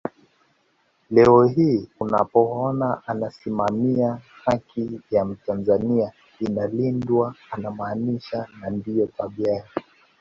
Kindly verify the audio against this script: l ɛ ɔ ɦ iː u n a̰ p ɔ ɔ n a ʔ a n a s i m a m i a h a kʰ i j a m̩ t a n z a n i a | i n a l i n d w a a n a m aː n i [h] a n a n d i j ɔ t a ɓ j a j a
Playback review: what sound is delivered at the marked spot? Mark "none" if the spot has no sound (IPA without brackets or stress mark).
ʃ